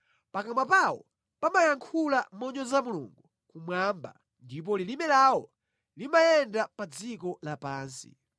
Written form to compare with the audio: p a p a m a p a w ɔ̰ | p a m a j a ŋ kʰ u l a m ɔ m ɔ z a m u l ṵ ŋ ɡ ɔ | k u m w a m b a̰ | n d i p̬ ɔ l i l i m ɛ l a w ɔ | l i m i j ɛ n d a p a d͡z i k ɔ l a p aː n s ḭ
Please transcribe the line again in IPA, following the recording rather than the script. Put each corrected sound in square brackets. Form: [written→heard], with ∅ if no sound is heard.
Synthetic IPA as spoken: p a [p→k] a m a p a w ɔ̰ | p a m a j a ŋ kʰ u l a m ɔ [m→ɲ] ɔ z a m u l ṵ ŋ ɡ [ɔ→u] | k u m w a m b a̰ | n d i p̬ ɔ l i l i m ɛ l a w ɔ | l i m [i→a] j ɛ n d a p a d͡z i k ɔ l a p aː n s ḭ